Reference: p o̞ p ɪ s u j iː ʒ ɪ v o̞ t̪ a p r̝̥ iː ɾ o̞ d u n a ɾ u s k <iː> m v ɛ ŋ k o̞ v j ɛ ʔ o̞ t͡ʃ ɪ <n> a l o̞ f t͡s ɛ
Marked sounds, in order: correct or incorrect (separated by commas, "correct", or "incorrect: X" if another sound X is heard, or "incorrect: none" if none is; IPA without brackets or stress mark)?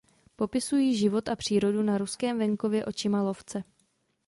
incorrect: ɛː, incorrect: m